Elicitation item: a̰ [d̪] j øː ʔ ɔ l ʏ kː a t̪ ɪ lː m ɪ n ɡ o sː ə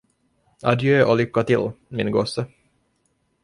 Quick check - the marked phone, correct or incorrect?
correct